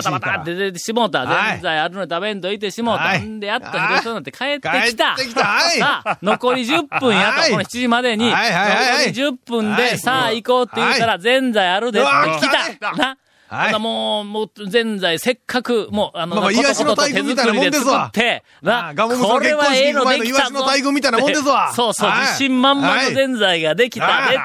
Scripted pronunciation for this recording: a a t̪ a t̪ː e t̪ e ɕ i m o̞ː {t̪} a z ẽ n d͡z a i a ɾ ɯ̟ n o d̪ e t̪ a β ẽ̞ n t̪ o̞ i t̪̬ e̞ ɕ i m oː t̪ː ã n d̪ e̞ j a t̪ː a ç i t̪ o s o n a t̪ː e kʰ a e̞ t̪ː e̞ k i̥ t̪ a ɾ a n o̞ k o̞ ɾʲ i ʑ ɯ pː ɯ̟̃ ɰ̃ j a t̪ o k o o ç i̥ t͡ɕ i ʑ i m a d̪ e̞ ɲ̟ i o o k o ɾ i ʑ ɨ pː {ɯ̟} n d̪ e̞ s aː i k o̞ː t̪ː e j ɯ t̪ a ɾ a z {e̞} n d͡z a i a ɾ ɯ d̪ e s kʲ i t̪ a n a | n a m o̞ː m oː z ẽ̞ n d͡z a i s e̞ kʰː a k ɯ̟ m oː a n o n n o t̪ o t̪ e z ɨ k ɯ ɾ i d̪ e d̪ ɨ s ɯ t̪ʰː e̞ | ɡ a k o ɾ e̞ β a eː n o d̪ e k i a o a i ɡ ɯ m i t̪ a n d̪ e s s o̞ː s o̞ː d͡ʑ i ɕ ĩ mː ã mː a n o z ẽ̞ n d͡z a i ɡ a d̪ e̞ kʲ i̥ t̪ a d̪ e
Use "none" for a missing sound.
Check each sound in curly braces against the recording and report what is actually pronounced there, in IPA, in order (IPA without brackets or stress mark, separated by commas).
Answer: t̪, ɯ̟̃, ẽ̞